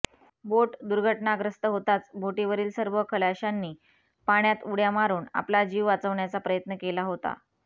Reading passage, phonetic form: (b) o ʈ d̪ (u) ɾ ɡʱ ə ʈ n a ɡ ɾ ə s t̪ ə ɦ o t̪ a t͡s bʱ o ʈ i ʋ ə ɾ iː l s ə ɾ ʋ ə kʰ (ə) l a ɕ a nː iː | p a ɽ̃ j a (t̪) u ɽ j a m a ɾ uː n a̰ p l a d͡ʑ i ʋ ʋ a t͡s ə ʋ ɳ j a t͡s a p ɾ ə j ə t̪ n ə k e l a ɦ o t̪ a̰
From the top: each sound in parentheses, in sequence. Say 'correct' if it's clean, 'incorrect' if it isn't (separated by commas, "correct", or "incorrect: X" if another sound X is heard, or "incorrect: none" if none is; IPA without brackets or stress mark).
correct, correct, correct, correct